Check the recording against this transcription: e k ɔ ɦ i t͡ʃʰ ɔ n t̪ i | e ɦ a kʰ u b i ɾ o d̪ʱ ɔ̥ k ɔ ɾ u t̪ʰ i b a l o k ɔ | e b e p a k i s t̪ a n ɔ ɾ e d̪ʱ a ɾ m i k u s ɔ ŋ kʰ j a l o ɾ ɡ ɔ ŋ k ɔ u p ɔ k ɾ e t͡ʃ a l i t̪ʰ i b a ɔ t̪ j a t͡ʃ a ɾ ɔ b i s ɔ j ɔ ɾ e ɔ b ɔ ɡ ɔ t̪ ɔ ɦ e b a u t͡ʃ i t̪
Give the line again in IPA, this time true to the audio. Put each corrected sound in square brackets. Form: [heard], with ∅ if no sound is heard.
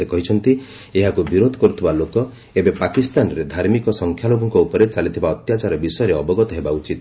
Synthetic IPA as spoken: e k ɔ ɦ i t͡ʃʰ ɔ n t̪ i | e ɦ a [k] u b i ɾ o d̪ʱ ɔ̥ k ɔ ɾ u t̪ʰ i b a l o k ɔ | e b e p a k i s t̪ a n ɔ ɾ e d̪ʱ a ɾ m i k [ɔ] s ɔ ŋ kʰ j a l o [∅] ɡ ɔ ŋ k ɔ u p ɔ [∅] ɾ e t͡ʃ a l i t̪ʰ i b a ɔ t̪ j a t͡ʃ a ɾ ɔ b i s ɔ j ɔ ɾ e ɔ b ɔ ɡ ɔ t̪ ɔ ɦ e b a u t͡ʃ i t̪